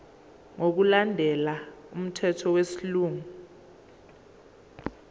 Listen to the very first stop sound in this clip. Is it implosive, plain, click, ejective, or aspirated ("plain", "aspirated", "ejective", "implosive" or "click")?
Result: plain